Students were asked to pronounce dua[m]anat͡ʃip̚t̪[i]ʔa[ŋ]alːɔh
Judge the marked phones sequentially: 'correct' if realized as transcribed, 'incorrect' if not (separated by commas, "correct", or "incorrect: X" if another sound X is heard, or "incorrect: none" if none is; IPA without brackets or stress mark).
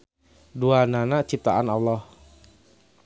incorrect: n, incorrect: a, incorrect: n